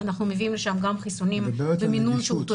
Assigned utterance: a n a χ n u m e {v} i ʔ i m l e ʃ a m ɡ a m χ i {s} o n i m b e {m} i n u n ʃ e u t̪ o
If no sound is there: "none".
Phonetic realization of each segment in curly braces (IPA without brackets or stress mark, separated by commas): v, s, m